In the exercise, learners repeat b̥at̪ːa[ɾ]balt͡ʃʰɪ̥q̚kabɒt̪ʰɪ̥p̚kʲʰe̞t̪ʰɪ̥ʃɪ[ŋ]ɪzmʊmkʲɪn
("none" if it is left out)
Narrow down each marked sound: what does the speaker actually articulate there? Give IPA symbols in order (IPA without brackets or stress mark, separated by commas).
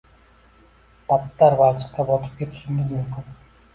ɾ, m